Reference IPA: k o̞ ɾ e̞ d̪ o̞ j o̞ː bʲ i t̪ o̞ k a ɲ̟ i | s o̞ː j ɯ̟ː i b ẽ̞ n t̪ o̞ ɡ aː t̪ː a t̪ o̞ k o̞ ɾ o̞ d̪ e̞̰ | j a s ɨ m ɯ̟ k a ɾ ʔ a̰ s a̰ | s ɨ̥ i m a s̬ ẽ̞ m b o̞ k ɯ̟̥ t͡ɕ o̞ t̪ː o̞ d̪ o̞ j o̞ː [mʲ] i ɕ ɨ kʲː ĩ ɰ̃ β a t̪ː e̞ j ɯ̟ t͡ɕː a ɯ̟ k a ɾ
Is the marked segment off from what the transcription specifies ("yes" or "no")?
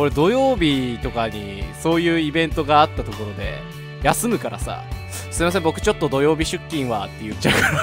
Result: yes